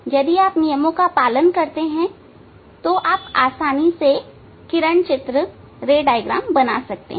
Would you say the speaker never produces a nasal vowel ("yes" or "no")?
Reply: no